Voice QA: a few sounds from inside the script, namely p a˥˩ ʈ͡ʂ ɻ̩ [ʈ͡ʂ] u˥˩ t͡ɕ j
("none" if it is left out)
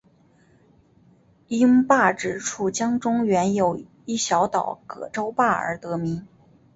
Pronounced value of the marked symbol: ʈ͡ʂʰ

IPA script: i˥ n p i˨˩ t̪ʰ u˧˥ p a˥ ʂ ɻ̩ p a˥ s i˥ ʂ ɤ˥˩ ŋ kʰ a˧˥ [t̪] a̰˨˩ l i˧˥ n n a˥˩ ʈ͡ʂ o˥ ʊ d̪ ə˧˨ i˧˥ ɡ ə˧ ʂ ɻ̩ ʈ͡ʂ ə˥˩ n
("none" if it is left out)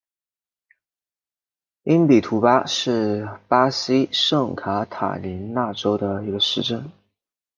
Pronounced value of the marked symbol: t̪ʰ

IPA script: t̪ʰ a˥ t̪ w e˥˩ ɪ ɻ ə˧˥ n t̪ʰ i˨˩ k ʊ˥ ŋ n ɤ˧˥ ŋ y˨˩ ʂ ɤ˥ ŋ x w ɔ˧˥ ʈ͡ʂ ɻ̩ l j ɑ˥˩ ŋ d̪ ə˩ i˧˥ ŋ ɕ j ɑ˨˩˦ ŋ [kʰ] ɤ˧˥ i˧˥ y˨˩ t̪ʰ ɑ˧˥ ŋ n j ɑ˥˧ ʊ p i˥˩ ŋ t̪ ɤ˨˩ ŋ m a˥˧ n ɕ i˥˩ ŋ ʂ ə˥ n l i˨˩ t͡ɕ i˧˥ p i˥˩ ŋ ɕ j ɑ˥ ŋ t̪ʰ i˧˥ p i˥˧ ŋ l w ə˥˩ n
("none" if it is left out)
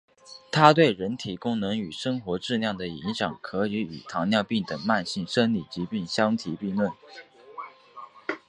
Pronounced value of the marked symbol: kʰ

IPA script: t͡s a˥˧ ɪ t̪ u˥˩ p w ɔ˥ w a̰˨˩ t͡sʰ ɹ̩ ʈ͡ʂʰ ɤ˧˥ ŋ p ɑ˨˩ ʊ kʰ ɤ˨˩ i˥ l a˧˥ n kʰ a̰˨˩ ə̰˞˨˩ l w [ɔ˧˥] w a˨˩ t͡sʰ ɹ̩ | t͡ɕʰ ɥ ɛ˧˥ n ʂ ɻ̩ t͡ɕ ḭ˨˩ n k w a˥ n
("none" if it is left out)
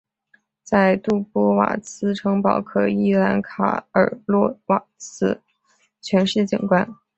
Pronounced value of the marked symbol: ɔ˥˩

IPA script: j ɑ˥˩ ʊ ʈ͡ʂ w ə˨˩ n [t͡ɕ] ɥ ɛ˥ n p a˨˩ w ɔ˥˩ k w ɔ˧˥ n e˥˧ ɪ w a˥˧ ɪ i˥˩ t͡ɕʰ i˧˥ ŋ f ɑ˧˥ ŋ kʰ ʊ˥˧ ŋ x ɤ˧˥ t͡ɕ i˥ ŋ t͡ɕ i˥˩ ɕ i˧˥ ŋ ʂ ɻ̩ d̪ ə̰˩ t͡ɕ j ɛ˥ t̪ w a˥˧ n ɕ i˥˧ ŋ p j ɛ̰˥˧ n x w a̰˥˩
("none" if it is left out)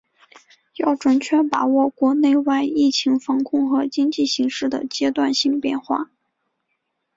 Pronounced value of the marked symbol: t͡ɕʰ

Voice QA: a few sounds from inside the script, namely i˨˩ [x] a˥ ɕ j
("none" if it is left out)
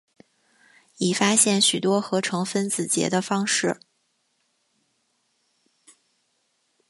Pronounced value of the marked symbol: f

